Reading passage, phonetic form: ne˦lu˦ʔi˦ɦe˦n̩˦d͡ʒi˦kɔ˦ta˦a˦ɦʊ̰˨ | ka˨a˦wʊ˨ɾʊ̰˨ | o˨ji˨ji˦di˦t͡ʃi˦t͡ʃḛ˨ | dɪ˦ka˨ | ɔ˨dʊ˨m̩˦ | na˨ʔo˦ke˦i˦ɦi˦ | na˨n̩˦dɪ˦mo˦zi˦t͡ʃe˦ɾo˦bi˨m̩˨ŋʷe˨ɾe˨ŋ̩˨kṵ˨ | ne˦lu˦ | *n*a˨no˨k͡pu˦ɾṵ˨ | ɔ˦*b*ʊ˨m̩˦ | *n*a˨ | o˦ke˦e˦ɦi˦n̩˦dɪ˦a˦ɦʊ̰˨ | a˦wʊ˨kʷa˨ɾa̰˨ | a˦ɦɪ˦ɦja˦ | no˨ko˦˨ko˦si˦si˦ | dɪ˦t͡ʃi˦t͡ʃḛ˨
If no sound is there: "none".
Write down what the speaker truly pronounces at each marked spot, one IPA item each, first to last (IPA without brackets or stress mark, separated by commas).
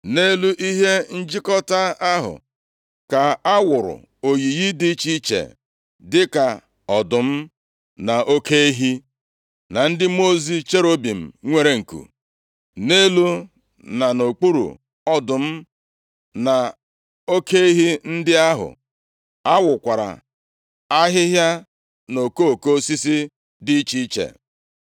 n, d, n